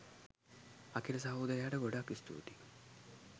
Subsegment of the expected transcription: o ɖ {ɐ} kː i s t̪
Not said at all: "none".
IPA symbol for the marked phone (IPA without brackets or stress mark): a